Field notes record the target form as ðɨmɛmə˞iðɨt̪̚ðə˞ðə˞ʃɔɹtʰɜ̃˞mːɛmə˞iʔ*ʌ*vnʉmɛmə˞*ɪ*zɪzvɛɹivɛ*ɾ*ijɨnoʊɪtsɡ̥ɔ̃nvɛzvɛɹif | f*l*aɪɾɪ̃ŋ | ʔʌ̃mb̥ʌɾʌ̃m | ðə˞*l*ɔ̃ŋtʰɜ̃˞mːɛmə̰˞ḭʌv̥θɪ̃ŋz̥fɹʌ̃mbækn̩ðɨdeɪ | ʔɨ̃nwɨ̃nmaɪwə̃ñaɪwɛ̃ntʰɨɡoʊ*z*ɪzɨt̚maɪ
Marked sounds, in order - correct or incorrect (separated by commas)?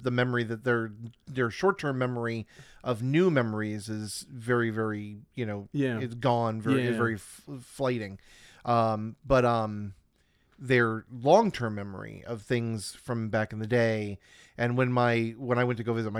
correct, incorrect, incorrect, correct, correct, incorrect